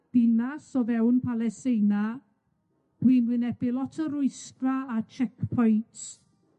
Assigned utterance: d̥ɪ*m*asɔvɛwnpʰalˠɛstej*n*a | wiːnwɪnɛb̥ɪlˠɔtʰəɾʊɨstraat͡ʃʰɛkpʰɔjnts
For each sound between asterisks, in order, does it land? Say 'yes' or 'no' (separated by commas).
no, yes